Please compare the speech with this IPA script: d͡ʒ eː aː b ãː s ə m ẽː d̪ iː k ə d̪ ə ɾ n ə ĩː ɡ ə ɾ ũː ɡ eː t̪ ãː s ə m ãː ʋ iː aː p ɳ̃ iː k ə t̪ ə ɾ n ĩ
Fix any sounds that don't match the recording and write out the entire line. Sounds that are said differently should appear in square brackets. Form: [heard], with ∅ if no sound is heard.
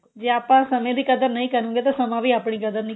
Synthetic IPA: d͡ʒ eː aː [p] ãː s ə m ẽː d̪ iː k ə d̪ ə ɾ n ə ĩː [k] ə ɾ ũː ɡ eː t̪ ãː s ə m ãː ʋ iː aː p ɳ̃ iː k ə [d̪] ə ɾ n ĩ

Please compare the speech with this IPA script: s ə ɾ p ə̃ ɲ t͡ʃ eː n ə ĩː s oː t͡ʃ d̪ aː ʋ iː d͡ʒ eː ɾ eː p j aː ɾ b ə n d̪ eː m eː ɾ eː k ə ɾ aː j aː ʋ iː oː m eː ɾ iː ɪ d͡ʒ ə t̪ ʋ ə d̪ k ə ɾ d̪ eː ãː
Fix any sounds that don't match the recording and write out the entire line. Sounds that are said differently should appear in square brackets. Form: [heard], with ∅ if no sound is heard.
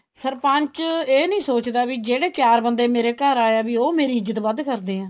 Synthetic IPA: s ə ɾ p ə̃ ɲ t͡ʃ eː n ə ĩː s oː t͡ʃ d̪ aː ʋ iː d͡ʒ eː [ɽ] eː [k] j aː ɾ b ə n d̪ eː m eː ɾ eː k ə ɾ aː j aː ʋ iː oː m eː ɾ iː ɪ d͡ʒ ə t̪ ʋ ə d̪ k ə ɾ d̪ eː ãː

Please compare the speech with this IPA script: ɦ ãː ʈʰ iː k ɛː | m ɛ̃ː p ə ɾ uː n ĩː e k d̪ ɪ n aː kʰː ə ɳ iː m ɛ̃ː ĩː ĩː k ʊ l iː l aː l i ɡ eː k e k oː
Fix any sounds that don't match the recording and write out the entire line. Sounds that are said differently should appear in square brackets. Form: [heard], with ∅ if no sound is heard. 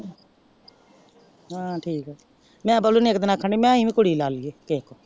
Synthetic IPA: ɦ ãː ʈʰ iː k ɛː | m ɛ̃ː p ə [l] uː n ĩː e k d̪ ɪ n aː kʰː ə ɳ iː m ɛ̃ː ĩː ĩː k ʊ [ɽ] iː l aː l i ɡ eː k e k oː

